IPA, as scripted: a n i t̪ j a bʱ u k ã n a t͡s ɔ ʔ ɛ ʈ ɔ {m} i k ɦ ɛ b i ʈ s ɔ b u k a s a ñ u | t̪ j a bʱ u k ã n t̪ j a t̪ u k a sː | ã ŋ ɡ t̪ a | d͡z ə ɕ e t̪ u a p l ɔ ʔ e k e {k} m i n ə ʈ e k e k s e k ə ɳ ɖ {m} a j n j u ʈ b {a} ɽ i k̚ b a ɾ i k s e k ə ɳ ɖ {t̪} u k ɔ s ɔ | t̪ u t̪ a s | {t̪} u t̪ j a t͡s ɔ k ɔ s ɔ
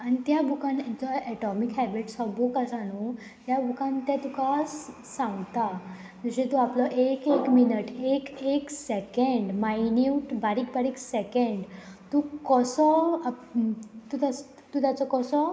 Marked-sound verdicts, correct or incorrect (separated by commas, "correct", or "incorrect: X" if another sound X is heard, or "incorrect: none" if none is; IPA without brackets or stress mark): correct, correct, correct, correct, correct, correct